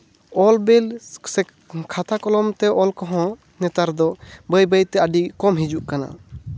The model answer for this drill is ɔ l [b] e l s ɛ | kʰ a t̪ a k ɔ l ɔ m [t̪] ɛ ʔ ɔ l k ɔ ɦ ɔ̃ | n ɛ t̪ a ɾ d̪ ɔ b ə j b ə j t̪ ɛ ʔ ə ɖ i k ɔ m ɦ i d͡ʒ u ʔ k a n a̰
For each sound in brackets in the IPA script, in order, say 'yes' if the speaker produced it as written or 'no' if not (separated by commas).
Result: yes, yes